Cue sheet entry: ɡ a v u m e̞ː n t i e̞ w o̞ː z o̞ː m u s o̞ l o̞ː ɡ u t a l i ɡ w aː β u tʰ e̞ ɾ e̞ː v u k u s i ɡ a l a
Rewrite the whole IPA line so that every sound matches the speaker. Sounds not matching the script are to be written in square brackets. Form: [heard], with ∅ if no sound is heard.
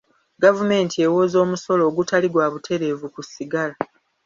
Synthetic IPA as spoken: ɡ a v u m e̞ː n t i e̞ w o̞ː z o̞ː m u s o̞ l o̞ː ɡ u t a l i ɡ w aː β u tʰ e̞ ɾ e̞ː v u k u s i ɡ a l a